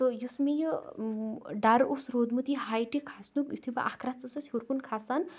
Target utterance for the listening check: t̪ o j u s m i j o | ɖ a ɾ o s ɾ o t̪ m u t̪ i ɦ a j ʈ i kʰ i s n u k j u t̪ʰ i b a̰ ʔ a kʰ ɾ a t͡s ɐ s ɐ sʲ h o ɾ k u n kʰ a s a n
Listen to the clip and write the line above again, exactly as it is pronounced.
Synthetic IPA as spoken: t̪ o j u s m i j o | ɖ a ɾ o s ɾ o d̪ m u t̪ i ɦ a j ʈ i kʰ a s n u k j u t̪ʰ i b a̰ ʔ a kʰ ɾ a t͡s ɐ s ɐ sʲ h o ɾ k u n kʰ a s a n